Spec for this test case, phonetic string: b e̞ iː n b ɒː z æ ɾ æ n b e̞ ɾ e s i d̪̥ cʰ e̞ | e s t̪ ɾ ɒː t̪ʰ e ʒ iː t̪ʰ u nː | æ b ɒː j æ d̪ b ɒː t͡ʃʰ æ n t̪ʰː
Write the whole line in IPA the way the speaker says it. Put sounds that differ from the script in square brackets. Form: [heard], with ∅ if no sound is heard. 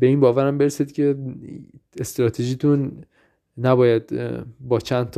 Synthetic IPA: b e̞ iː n b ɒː [v] æ ɾ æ [m] b e̞ ɾ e s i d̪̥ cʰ e̞ | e s t̪ ɾ ɒː t̪ʰ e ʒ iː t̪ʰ u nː | æ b ɒː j æ d̪ b ɒː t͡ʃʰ æ n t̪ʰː